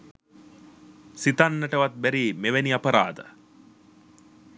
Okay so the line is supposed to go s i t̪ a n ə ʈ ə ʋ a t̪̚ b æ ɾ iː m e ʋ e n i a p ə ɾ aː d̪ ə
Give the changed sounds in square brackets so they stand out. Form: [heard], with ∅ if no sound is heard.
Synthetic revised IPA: s i t̪ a [nː] ə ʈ ə ʋ a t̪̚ b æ ɾ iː m e ʋ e n i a p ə ɾ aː d̪ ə